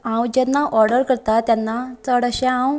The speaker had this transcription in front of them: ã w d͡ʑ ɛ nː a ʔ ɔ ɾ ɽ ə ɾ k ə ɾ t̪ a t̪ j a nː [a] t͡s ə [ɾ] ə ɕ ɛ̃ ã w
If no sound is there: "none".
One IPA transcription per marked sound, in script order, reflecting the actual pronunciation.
a, ɽ

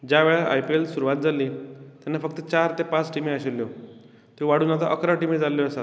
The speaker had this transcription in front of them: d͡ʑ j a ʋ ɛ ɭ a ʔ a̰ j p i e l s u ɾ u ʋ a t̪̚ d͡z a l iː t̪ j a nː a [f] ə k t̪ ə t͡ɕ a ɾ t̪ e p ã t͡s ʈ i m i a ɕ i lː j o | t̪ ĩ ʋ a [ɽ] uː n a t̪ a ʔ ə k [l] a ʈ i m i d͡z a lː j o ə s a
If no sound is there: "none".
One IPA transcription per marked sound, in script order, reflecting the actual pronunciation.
f, ɽ, ɾ

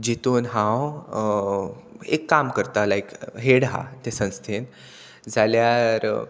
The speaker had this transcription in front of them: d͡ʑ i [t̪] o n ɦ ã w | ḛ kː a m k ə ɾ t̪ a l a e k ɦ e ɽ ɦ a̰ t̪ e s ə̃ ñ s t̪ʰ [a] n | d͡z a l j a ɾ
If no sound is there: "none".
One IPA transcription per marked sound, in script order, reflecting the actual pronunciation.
t̪, e

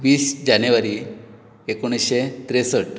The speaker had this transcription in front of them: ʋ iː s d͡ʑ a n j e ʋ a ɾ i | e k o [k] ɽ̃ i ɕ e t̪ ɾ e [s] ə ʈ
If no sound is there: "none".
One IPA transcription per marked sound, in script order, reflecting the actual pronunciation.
none, s

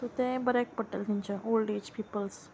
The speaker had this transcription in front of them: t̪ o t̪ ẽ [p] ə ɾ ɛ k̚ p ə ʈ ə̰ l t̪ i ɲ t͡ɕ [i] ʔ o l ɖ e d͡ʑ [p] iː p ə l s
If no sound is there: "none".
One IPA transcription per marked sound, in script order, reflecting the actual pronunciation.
b, a, p

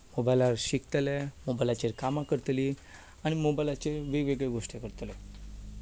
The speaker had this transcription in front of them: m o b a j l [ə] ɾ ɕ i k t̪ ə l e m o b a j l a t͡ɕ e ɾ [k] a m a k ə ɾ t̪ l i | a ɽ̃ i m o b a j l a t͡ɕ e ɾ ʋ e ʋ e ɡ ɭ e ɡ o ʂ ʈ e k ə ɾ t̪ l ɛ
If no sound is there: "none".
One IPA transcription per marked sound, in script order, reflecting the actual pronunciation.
a, k

